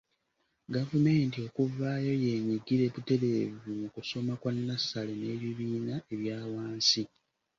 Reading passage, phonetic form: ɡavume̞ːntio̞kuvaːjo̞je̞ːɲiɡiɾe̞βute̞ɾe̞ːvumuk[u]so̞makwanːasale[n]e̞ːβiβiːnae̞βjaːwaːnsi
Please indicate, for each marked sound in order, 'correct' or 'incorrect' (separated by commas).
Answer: correct, correct